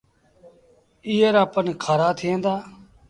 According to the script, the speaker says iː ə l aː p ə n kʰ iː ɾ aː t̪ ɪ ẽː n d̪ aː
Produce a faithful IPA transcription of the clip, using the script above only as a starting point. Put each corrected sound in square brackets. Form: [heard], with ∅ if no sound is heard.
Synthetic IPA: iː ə [ɾ] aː p ə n kʰ [aː] ɾ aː [t̪ʰ] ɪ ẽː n d̪ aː